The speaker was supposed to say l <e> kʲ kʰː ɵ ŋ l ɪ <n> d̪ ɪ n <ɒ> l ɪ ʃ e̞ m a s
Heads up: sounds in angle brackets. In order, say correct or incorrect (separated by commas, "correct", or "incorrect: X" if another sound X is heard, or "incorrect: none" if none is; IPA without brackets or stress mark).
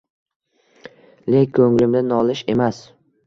correct, incorrect: m, correct